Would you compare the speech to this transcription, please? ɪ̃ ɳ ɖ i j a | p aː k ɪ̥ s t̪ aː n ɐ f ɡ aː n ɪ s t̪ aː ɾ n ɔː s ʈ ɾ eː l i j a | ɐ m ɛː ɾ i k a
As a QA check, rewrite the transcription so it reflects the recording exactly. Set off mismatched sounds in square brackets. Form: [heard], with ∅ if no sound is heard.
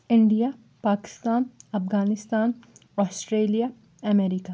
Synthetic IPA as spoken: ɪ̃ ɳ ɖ i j a | p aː k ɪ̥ s t̪ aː n ɐ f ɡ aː n ɪ s t̪ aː [∅] n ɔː s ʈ ɾ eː l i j a | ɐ m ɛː ɾ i k a